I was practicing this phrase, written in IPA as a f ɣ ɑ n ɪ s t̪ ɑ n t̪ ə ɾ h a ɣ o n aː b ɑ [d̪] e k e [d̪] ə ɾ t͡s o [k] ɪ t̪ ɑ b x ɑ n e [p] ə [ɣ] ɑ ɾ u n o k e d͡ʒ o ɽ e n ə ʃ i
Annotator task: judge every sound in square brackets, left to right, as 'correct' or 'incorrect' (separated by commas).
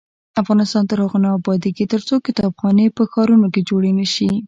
correct, incorrect, correct, correct, incorrect